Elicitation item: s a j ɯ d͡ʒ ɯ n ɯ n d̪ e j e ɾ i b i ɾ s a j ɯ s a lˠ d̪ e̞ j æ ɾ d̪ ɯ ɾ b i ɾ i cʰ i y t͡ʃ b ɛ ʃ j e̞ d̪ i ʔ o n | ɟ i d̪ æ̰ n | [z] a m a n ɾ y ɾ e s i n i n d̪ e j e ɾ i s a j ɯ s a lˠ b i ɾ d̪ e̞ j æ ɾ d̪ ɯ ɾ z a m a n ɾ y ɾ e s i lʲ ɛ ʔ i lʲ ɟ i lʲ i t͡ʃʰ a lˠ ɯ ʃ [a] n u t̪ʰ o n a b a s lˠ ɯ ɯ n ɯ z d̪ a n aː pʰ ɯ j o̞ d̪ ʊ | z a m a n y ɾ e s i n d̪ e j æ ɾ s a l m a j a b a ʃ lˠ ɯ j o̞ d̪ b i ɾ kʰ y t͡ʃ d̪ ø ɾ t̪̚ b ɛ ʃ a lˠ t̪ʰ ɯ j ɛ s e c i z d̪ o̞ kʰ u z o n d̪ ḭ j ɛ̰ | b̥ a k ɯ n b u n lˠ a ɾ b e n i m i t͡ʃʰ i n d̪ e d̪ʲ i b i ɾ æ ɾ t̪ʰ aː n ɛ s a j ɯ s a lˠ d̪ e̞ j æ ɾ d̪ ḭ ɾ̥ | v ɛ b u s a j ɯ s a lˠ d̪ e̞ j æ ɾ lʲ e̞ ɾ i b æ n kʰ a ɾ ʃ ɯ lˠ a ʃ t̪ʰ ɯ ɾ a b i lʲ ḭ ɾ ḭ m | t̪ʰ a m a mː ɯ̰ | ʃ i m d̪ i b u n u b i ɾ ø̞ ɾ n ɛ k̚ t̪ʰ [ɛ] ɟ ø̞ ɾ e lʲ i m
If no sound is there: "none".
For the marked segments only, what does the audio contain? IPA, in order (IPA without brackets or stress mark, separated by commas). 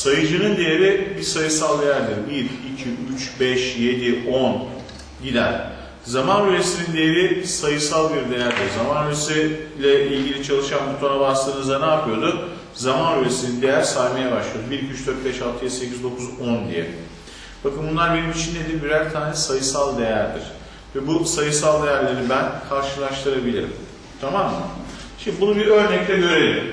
z, a, ɛ